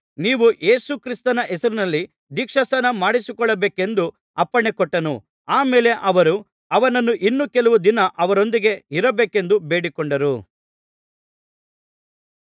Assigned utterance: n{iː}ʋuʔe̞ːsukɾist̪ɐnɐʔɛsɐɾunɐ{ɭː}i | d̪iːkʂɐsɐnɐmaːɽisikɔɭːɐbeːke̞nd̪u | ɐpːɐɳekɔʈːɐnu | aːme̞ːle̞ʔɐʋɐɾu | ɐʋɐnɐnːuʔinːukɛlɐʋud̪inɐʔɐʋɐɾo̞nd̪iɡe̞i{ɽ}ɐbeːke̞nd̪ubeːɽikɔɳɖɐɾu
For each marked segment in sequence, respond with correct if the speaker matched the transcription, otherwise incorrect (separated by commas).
correct, incorrect, incorrect